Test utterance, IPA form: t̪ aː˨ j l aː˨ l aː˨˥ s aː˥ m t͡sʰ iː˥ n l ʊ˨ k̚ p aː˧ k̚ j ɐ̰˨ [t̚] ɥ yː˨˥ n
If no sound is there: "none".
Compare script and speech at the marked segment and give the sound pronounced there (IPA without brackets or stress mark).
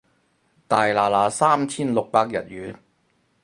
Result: t̚